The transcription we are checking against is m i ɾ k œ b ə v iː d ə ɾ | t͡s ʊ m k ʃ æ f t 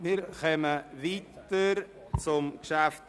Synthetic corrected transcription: m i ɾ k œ m ə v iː t ə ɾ | t͡s ʊ m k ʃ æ f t

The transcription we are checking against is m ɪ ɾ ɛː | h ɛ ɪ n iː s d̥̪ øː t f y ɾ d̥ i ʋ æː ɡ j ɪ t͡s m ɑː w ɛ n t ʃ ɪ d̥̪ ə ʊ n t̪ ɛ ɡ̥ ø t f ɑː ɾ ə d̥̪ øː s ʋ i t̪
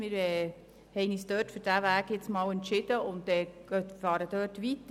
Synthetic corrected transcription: m ɪ ɾ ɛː | h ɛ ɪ n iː s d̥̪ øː t f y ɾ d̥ æ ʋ æː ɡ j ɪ t͡s m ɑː w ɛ n t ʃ ɪ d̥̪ ə ʊ n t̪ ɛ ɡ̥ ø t f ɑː ɾ ə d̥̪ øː t ʋ i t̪

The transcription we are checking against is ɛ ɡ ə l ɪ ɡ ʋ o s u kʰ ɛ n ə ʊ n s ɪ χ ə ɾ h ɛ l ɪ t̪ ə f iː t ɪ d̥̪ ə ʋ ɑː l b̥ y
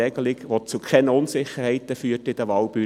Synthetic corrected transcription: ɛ ɡ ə l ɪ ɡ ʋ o t͡s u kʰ ɛ n ə ʊ n s ɪ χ ə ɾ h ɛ ɪ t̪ ə f yː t ɪ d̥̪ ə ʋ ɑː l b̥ y

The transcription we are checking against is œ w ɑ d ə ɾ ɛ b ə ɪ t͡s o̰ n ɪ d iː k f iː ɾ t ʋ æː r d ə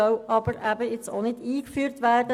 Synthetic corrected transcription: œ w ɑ b ə ɾ æ b ə ɪ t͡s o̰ n ɪ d iː k f yː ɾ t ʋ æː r d ə

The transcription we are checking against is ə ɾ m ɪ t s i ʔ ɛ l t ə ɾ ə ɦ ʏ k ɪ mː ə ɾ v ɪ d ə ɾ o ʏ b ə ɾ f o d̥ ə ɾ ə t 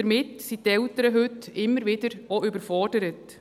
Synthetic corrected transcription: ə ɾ m ɪ t s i t ɛ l t ə ɾ ə ɦ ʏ t ɪ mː ə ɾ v ɪ d ə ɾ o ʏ b ə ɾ f ɔ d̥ ə ɾ ə t

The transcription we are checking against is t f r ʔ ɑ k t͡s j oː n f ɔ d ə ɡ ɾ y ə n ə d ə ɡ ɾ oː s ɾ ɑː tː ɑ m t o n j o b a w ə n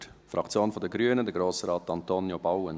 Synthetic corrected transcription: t f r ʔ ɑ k t͡s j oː n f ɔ d ə ɡ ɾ y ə n ə d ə ɡ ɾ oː s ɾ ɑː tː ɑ n t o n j o b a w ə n

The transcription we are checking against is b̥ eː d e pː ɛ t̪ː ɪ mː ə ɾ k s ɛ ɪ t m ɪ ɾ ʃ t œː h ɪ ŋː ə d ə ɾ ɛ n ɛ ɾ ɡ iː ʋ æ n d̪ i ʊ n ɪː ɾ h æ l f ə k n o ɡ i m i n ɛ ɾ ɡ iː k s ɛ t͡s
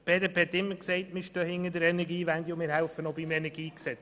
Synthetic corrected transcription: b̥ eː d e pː ɛ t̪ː ɪ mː ə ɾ k s ɛ ɪ t m ɪ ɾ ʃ t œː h ɪ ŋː ə d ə ɾ ɛ n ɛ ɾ ɡ iː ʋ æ n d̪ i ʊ m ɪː ɾ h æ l f ə n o b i m ɛ n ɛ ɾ ɡ iː k s ɛ t͡s

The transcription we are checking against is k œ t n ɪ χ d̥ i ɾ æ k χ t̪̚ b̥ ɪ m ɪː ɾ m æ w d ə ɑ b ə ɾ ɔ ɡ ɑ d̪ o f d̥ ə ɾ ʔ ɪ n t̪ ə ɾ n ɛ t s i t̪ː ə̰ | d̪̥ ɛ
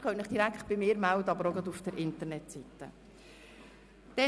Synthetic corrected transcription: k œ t n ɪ χ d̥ i ɾ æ k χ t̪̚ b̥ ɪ m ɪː ɾ m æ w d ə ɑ b ə ɾ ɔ ɡ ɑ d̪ u f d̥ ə ɾ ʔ ɪ n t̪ ə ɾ n ɛ t s i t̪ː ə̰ | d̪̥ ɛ

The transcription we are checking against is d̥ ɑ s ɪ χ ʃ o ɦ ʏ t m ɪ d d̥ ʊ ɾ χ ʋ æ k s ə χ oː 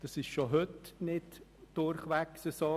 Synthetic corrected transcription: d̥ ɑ s ɪ ʃ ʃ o ɦ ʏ t n ɪ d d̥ ʊ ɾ χ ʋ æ k s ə s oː

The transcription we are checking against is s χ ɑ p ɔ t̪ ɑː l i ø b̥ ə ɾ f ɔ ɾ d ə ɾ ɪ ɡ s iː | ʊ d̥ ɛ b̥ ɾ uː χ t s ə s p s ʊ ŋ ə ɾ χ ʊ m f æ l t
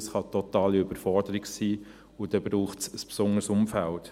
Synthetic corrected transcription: s χ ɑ t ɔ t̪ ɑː l i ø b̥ ə ɾ f ɔ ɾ d ə ɾ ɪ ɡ s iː | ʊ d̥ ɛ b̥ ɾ uː χ t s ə s p s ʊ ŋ ə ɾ s ʊ m f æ l t

